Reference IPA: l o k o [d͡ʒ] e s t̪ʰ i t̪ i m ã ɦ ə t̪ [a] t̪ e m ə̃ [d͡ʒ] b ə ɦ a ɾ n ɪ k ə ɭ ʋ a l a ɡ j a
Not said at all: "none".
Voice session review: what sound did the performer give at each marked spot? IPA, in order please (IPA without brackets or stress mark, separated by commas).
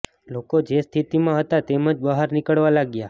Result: d͡ʒ, a, d͡ʒ